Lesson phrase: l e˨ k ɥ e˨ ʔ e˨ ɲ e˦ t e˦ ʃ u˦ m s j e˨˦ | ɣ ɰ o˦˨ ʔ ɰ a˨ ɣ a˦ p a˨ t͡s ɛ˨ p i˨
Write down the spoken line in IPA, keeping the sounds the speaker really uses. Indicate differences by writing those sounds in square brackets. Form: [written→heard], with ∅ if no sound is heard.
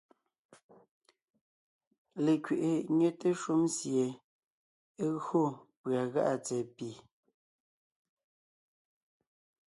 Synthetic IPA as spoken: l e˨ k ɥ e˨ ʔ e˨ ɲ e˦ t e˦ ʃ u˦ m s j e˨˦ | ɣ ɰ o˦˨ [ʔ→p] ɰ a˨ ɣ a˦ [p→ʔ] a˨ t͡s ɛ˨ p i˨

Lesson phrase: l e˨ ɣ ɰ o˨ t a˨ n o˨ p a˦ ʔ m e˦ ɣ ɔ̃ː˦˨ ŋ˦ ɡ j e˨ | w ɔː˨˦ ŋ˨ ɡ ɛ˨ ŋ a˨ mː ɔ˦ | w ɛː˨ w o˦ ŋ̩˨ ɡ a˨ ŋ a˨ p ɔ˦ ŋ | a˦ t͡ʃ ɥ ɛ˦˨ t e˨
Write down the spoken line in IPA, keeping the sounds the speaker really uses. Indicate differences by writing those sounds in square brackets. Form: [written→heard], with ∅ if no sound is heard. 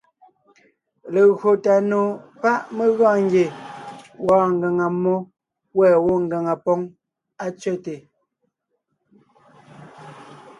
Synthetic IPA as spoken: l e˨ ɣ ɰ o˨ t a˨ n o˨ p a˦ ʔ m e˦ ɣ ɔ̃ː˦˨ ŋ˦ ɡ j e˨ | w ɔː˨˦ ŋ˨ ɡ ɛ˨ ŋ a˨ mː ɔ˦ | w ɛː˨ w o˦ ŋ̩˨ ɡ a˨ ŋ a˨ p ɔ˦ ŋ | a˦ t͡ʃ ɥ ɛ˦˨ t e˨

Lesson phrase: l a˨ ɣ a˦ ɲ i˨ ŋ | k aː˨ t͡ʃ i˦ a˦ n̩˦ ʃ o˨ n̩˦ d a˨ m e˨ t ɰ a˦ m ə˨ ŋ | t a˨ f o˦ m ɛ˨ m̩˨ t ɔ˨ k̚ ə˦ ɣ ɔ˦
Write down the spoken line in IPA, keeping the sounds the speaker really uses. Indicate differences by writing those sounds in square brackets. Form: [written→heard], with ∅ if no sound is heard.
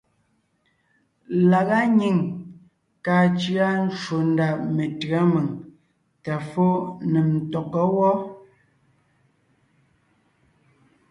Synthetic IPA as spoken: l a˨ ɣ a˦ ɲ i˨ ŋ | k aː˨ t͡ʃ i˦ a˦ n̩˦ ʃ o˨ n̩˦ d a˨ m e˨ t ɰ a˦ m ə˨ ŋ | t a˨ f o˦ [m→n] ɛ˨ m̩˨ t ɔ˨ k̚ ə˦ [ɣ→w] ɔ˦

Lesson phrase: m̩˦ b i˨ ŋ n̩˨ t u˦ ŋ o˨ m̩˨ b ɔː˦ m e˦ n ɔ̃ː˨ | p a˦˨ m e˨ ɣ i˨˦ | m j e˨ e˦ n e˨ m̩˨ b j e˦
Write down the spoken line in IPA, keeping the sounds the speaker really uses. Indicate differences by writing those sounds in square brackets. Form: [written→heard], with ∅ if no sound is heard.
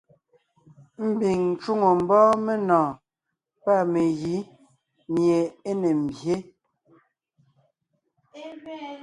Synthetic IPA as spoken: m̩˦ b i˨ ŋ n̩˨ [t→t͡ʃ] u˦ ŋ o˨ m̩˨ b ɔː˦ m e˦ n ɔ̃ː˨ | p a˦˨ m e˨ ɣ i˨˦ | m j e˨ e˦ n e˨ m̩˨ b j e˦

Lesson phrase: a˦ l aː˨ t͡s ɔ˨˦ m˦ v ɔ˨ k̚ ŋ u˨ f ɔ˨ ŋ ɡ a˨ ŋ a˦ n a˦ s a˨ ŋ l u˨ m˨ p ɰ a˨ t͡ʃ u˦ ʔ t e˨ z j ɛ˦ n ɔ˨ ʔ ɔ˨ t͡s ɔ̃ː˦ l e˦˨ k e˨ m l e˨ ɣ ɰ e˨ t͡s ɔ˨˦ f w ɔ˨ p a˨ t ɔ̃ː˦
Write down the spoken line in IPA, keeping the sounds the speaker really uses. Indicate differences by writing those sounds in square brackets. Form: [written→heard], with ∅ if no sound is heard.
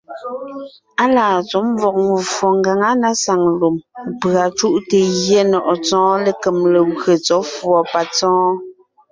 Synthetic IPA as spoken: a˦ l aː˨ t͡s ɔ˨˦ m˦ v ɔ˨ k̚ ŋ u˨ f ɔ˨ ŋ ɡ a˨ ŋ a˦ n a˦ s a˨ ŋ l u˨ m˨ p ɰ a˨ t͡ʃ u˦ ʔ t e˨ [z→ɣ] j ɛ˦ n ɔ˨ ʔ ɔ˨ t͡s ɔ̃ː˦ l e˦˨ k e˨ m l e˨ ɣ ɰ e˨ t͡s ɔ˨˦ f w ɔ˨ p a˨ [t→t͡s] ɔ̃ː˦

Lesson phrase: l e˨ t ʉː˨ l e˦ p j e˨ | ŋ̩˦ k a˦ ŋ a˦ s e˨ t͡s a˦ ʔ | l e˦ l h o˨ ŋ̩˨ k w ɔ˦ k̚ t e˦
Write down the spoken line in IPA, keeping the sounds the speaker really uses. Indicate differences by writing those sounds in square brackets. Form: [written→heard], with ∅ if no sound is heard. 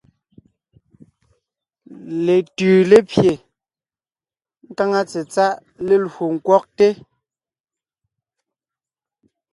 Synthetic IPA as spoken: l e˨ t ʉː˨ l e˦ p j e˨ | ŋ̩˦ k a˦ ŋ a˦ [s→t͡s] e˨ t͡s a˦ ʔ | l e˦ l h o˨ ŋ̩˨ k w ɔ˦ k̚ t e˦

